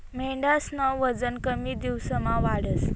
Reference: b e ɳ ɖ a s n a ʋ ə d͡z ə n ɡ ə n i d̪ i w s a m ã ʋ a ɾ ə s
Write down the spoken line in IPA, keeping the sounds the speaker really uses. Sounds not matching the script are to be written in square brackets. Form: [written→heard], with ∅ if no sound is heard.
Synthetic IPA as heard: [b→m] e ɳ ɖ a s n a ʋ ə d͡z ə n [ɡ→k] ə [n→m] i d̪ i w s [a→ə] m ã ʋ a [ɾ→ɽ] ə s